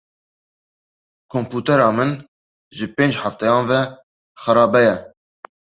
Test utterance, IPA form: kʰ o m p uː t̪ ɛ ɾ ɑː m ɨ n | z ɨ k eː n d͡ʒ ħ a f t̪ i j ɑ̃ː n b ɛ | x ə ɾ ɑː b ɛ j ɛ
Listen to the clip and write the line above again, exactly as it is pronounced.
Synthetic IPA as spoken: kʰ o m p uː t̪ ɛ ɾ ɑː m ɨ n | ʒ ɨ p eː n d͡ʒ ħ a f t̪ ɛ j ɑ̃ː n v ɛ | x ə ɾ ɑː b ɛ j ɛ